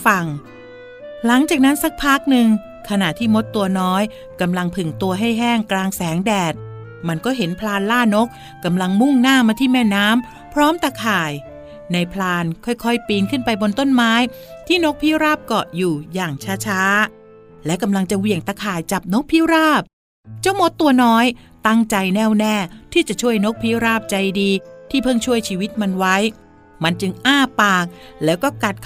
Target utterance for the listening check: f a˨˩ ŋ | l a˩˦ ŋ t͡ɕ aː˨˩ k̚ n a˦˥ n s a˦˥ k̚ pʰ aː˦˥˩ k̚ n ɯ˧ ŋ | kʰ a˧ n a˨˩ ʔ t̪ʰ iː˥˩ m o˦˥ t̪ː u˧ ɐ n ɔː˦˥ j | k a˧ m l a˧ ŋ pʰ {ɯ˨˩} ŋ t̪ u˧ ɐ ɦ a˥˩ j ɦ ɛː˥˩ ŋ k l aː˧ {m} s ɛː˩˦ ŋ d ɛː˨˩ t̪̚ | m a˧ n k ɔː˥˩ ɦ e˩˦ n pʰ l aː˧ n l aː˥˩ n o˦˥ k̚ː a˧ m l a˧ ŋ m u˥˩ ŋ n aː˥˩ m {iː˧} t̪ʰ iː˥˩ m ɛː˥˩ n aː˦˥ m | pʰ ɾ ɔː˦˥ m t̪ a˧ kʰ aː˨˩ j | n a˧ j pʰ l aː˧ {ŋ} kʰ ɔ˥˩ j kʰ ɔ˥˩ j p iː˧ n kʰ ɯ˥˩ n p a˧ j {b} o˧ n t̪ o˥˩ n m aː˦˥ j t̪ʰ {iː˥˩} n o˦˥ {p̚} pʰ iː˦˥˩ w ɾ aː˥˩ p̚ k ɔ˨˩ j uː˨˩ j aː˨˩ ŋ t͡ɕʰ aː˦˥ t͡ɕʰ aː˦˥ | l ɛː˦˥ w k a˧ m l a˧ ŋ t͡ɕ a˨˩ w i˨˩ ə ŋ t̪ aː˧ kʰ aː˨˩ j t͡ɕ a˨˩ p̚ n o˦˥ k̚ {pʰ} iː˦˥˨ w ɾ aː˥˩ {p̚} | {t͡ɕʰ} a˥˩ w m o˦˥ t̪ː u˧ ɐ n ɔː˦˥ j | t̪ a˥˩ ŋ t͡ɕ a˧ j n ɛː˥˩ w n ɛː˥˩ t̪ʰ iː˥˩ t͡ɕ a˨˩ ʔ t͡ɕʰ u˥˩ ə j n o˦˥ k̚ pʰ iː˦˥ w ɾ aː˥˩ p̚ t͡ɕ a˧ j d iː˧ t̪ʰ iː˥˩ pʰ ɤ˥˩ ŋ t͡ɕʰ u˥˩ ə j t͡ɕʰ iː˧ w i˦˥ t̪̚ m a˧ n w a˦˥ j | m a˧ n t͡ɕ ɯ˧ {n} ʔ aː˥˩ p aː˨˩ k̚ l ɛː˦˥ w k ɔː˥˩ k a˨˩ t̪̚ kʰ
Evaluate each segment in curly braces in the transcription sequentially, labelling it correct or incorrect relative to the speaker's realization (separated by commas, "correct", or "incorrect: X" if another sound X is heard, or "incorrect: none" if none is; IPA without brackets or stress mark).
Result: correct, incorrect: ŋ, incorrect: aː˧, incorrect: n, correct, correct, incorrect: k̚, correct, correct, incorrect: t͡ɕ, incorrect: ŋ